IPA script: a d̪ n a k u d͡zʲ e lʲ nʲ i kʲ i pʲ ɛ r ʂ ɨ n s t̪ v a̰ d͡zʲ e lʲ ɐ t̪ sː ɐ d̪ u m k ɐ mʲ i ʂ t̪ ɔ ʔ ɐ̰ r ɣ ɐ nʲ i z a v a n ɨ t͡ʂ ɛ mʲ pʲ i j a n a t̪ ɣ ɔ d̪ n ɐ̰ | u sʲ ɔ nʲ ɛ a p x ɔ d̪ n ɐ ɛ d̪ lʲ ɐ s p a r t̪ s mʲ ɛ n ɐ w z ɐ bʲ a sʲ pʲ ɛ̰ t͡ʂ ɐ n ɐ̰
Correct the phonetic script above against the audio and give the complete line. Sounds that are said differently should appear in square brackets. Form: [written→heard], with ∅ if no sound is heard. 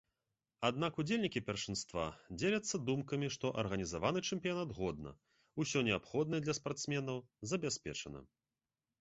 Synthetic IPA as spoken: a d̪ n a k u d͡zʲ e lʲ nʲ i kʲ i pʲ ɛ r ʂ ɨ n s t̪ v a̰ d͡zʲ e lʲ ɐ t̪ sː ɐ d̪ u m k ɐ mʲ i ʂ t̪ ɔ ʔ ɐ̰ r ɣ ɐ nʲ i z a v a n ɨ t͡ʂ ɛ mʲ pʲ i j a n a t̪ ɣ ɔ d̪ n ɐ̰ | u sʲ ɔ nʲ ɛ a p x ɔ d̪ n ɐ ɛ d̪ lʲ ɐ s p a r t̪ s mʲ ɛ n ɐ w z ɐ bʲ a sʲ pʲ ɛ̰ t͡ʂ ɐ n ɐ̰